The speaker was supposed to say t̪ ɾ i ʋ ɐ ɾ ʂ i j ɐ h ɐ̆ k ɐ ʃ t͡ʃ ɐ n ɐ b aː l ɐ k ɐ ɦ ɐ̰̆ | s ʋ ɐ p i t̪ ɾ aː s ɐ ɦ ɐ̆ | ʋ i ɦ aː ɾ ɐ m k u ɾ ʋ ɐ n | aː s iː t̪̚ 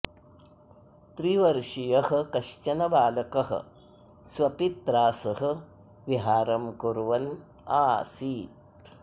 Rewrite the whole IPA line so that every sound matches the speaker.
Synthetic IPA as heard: t̪ ɾ i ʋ ɐ ɾ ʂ i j ɐ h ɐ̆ k ɐ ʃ t͡ʃ ɐ n ɐ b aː l ɐ k ɐ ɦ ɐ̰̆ | s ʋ ɐ p i t̪ ɾ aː s ɐ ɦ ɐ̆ | ʋ i ɦ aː ɾ ɐ m k u ɾ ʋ ɐ n | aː s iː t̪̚